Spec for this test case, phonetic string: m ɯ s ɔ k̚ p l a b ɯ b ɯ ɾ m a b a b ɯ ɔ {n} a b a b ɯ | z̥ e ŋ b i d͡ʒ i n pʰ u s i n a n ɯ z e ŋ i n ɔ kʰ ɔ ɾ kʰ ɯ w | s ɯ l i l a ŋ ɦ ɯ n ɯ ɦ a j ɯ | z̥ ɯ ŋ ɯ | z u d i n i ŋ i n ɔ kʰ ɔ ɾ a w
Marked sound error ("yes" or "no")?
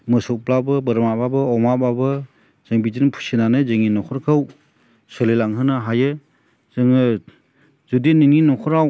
yes